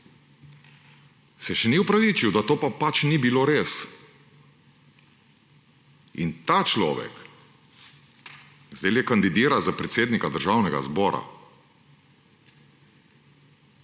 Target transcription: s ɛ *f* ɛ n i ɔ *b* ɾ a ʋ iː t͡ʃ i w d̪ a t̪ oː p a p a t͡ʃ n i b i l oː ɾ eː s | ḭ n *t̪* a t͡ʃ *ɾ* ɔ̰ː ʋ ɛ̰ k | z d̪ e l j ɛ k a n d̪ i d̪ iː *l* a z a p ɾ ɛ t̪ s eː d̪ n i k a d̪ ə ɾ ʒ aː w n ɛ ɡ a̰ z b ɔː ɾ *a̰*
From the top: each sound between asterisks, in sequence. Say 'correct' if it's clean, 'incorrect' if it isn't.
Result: incorrect: ʃ, incorrect: p, correct, incorrect: l, incorrect: ɾ, correct

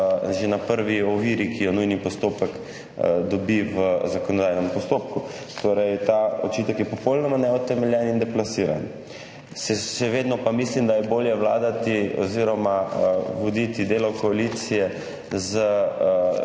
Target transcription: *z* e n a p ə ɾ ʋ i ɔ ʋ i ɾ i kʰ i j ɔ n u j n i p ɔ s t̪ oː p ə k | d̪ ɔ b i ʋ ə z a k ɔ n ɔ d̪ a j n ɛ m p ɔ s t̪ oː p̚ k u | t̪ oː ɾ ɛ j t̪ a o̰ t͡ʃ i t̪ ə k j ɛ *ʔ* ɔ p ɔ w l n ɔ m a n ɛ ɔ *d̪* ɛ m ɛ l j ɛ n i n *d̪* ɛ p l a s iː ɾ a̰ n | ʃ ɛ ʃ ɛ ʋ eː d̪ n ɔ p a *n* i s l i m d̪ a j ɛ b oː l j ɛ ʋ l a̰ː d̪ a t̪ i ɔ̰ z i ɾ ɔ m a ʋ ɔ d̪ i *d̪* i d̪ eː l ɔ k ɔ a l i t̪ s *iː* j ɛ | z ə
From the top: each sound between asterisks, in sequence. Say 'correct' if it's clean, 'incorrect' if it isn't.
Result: incorrect: ʒ, incorrect: p, incorrect: t̪, correct, incorrect: m, incorrect: t̪, incorrect: i

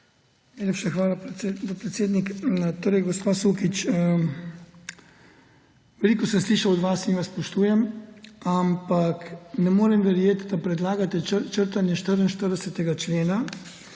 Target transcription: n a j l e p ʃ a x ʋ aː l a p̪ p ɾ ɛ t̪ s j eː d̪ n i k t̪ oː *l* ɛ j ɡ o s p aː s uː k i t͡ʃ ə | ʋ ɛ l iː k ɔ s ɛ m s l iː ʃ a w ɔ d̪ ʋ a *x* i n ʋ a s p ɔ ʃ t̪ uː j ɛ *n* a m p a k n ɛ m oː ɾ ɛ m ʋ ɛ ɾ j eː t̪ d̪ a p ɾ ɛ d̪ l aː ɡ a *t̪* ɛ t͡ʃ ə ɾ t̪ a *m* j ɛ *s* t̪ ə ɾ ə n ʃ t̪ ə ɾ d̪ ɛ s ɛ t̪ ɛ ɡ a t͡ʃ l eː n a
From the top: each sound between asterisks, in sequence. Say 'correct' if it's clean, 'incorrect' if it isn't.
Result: incorrect: ɾ, incorrect: s, incorrect: m, correct, incorrect: n, incorrect: ʃ

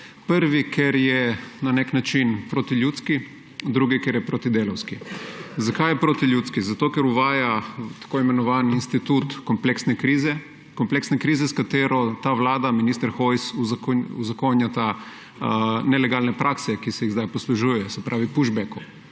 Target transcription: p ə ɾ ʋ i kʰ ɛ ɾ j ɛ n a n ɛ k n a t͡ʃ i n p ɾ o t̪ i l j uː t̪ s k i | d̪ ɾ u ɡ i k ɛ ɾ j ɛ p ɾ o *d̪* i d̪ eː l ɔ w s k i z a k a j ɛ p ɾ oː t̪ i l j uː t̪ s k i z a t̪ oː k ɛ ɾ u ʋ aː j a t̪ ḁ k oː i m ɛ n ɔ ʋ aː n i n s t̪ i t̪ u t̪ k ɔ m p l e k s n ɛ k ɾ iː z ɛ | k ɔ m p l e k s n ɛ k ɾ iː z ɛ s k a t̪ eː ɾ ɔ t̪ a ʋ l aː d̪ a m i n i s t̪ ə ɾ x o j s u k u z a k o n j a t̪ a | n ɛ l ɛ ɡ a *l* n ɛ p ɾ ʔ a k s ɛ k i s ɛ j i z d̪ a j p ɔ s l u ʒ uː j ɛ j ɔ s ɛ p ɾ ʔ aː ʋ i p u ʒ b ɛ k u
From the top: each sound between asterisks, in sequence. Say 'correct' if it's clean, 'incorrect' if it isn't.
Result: incorrect: t̪, correct

